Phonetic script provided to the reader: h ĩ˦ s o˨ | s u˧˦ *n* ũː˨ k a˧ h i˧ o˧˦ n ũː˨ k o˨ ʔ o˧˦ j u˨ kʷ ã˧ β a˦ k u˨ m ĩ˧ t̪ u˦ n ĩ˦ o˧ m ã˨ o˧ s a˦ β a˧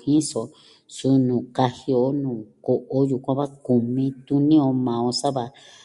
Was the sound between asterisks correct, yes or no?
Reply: yes